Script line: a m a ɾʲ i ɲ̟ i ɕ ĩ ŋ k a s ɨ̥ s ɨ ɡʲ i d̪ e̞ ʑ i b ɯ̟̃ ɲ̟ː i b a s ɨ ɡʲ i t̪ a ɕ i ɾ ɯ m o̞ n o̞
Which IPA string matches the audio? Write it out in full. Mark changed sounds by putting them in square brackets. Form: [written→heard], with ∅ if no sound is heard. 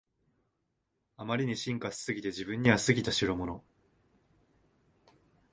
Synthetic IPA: a m a ɾʲ i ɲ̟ i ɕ ĩ ŋ k a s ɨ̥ s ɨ ɡʲ i [d̪→t̪] e̞ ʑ i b ɯ̟̃ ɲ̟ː i [b→β] a s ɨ ɡʲ i t̪ a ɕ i ɾ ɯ m o̞ n o̞